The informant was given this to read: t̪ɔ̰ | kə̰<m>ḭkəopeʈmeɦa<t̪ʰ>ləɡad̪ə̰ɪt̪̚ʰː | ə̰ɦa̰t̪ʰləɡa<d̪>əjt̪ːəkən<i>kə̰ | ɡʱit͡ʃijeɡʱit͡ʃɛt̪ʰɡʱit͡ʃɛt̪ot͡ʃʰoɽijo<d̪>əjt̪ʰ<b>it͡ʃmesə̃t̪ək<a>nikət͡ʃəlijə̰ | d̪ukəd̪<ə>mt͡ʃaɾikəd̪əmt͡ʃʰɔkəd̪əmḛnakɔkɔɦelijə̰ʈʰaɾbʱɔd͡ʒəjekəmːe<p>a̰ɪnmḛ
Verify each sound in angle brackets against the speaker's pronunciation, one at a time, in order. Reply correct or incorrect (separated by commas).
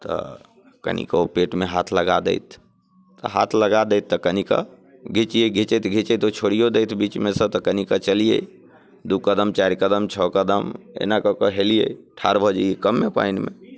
incorrect, correct, correct, correct, correct, correct, incorrect, correct, correct